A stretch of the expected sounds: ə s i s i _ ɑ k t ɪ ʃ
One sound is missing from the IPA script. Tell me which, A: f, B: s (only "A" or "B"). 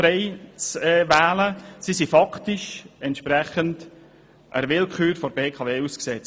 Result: A